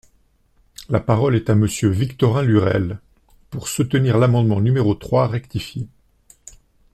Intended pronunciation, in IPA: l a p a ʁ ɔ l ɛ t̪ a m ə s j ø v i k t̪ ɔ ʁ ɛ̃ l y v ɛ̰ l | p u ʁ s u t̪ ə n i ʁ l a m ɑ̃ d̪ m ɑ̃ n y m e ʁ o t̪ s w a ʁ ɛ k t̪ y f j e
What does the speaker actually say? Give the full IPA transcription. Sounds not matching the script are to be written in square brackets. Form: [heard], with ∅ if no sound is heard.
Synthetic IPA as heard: l a p a ʁ ɔ l ɛ t̪ a m ə s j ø v i k t̪ ɔ ʁ ɛ̃ l y [ʁ] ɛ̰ l | p u ʁ s u t̪ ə n i ʁ l a m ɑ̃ d̪ m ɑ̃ n y m e ʁ o t̪ [χ] w a ʁ ɛ k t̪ [i] f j e